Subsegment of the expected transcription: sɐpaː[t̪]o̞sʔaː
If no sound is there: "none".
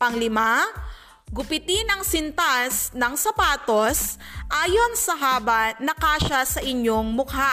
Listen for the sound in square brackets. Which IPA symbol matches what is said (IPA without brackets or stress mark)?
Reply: t̪